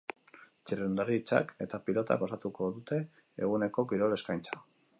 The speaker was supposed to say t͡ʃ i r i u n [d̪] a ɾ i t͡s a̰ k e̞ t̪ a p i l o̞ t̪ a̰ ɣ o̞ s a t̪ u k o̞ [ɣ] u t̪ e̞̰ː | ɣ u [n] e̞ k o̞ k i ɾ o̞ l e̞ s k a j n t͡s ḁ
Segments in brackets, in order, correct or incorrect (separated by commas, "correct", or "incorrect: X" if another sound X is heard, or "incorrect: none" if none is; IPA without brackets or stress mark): correct, incorrect: ð, correct